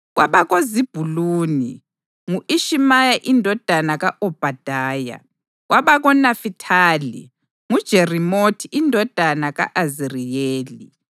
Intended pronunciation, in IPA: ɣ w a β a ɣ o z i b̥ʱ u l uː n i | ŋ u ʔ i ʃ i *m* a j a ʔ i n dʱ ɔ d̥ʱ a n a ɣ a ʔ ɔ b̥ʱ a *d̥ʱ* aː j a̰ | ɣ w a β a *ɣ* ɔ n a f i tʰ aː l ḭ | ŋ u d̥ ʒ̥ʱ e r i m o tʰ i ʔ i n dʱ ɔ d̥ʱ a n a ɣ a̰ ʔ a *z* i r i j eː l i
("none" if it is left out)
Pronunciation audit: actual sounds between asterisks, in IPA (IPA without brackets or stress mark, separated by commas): m, d̥ʱ, ɣ, z